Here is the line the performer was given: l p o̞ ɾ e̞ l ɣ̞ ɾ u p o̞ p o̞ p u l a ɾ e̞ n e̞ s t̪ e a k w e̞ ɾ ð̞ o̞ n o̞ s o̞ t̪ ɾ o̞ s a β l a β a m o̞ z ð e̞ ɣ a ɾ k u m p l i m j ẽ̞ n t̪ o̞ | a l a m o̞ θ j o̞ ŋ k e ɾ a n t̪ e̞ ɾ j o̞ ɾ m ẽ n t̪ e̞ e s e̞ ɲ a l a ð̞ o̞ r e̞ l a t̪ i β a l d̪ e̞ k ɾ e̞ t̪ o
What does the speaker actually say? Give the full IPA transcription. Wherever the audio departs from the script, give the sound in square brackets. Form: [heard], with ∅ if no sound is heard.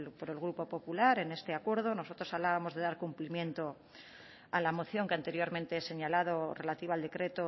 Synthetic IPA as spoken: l p o̞ ɾ e̞ l ɣ̞ ɾ u p o̞ p o̞ p u l a ɾ e̞ n e̞ s t̪ e a k w e̞ ɾ ð̞ o̞ n o̞ s o̞ t̪ ɾ o̞ s a β l a β a m o̞ z ð e̞ [ð] a ɾ k u m p l i m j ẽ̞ n t̪ o̞ | a l a m o̞ θ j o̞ ŋ k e [∅] a n t̪ e̞ ɾ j o̞ ɾ m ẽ n t̪ e̞ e s e̞ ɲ a l a ð̞ o̞ r e̞ l a t̪ i β a l d̪ e̞ k ɾ e̞ t̪ o